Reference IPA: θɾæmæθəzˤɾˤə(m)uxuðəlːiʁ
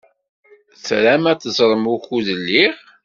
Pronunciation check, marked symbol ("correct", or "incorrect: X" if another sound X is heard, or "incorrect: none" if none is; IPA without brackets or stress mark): correct